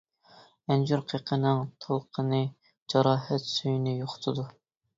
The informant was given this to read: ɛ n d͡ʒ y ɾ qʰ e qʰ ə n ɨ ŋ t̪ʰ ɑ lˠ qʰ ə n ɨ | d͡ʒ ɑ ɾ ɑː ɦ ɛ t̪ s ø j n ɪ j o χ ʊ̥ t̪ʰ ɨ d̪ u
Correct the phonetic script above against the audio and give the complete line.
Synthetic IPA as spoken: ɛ n d͡ʒ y ɾ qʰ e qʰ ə n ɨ ŋ t̪ʰ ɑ lˠ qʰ ə n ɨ | d͡ʒ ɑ ɾ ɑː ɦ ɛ t̪ s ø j n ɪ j o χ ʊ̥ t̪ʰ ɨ d̪ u